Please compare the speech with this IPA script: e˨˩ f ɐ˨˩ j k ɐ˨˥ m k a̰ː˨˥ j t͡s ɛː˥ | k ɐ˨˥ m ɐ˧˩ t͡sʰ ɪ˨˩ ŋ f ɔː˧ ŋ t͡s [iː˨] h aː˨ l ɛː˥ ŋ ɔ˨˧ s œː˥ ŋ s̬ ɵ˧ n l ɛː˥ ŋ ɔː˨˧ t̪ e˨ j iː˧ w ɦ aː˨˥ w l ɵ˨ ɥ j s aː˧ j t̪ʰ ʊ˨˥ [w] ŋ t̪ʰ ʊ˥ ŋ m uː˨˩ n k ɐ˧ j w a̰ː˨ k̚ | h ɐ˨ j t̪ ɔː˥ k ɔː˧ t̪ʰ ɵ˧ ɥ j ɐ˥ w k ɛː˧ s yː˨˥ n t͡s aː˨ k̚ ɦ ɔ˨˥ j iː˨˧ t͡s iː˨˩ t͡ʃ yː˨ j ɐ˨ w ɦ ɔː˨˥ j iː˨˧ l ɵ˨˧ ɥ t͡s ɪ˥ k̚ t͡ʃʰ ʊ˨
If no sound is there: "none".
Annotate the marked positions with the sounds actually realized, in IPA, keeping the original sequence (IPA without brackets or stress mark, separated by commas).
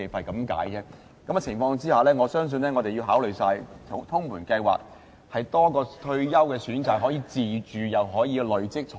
iː˥, none